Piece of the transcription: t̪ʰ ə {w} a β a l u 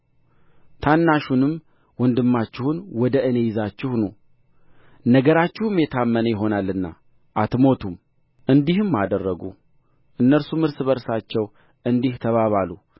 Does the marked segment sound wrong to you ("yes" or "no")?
yes